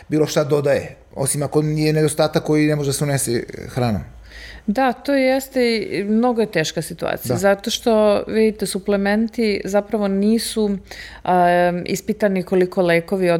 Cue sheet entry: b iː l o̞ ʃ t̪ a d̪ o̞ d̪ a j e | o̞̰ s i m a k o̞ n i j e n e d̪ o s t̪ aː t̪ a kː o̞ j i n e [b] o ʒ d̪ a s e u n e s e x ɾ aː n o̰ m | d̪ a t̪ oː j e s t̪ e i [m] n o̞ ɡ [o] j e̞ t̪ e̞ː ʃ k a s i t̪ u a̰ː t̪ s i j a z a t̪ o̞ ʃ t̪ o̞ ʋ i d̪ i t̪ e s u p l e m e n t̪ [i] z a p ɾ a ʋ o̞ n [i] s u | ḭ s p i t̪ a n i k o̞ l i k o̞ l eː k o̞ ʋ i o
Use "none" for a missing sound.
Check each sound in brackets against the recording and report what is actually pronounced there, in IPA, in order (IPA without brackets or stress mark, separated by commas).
m, m, o, i, iː